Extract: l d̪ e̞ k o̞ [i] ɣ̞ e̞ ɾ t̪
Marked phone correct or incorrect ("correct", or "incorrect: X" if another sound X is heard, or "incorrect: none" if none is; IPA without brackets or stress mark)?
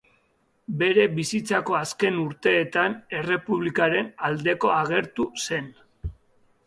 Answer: incorrect: a